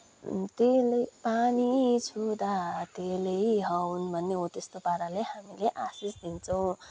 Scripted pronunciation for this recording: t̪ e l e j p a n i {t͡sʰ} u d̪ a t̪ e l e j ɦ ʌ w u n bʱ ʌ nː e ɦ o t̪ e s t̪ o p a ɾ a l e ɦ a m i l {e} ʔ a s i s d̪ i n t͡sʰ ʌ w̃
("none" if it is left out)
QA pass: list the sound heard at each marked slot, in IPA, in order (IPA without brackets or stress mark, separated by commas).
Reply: t͡sʰ, e